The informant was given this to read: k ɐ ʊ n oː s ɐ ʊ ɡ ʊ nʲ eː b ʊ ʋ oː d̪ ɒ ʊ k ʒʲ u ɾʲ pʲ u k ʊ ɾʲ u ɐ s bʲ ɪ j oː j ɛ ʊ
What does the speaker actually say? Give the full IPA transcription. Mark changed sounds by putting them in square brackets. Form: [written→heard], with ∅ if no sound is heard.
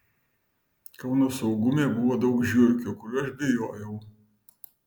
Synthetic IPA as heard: k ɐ ʊ n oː s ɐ ʊ ɡ ʊ [nʲ→mʲ] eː b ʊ ʋ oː d̪ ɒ ʊ k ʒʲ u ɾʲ [pʲ→kʲ] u k ʊ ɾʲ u ɐ [s→ʃ] bʲ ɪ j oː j ɛ ʊ